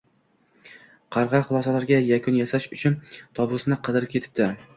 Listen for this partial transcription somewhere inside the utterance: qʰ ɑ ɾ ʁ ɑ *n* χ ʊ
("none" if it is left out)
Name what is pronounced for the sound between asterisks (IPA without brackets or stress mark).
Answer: none